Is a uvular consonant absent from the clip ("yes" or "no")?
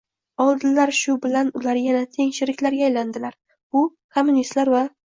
yes